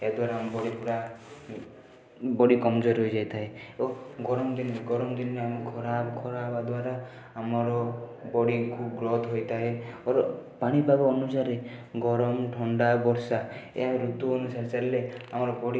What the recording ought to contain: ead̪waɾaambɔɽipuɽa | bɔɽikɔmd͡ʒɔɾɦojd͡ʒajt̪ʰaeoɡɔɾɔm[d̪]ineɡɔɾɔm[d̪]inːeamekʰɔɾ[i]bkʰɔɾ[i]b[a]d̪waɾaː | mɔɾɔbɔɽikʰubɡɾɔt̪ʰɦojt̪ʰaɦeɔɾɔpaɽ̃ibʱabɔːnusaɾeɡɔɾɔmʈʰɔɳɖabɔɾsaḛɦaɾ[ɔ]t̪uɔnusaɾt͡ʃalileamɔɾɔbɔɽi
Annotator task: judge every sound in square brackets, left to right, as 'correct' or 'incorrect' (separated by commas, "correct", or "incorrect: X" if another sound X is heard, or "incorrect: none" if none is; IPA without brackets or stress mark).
correct, correct, incorrect: a, incorrect: a, correct, incorrect: u